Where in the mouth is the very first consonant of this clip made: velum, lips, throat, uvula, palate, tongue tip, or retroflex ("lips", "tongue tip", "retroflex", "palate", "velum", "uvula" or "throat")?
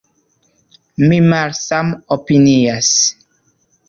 lips